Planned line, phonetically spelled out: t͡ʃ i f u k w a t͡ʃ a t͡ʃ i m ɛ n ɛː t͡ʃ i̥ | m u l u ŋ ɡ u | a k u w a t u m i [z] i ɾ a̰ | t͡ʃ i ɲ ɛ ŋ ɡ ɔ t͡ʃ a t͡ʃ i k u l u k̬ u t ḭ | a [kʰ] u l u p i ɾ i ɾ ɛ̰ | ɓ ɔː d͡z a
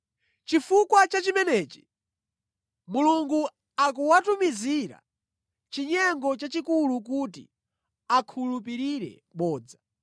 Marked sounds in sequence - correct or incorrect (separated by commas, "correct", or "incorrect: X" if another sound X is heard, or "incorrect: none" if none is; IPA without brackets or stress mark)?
correct, correct